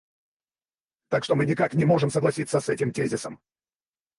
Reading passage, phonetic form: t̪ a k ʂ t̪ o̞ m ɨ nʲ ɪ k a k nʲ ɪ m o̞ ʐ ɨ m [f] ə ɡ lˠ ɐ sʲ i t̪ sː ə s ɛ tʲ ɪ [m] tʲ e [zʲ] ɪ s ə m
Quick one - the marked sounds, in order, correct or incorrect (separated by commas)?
incorrect, correct, correct